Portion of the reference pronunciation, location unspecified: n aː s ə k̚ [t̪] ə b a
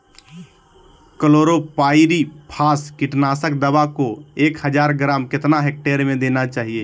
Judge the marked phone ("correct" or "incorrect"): incorrect